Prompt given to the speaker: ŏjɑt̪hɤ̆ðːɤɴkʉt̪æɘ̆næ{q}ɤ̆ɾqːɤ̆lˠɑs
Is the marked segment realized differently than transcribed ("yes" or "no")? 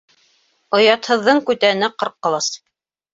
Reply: no